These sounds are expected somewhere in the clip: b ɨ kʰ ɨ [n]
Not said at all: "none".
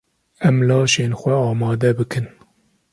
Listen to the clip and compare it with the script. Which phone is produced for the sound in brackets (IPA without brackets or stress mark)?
n